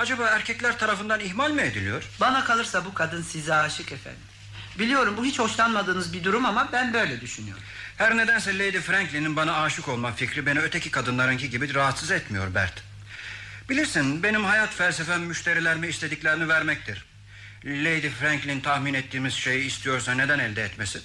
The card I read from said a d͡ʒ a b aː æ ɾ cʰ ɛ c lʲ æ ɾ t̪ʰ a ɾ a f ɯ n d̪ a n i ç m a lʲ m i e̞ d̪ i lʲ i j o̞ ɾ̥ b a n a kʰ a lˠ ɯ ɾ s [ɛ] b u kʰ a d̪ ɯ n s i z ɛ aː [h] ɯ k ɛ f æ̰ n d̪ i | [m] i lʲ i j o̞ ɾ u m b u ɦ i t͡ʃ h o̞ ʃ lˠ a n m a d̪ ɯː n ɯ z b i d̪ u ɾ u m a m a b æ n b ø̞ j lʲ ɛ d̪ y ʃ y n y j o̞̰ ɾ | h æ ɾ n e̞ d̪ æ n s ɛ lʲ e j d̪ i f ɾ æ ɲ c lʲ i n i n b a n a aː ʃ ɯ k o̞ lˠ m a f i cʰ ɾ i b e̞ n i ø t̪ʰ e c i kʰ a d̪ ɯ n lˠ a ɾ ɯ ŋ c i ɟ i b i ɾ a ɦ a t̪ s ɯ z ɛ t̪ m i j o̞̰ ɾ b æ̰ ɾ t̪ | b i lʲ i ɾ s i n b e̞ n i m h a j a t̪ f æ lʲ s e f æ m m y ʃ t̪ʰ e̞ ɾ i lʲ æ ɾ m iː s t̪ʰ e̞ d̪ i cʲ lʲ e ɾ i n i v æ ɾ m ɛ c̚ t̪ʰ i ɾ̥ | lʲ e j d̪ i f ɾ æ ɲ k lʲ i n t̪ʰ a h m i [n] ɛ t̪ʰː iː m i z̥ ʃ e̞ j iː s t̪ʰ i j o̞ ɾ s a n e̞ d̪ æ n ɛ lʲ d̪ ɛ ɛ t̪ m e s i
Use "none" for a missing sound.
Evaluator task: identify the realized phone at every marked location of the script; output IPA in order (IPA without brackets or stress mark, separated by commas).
a, ʃ, b, n